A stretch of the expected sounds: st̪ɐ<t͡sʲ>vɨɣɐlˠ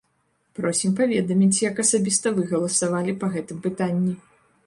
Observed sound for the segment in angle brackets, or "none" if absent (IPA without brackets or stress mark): none